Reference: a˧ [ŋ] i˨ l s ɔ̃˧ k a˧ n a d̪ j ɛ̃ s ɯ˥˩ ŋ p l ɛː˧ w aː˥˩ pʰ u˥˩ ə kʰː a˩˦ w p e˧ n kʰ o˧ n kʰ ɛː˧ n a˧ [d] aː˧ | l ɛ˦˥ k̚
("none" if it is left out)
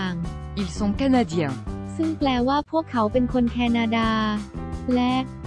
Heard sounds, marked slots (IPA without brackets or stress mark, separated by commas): ŋ, d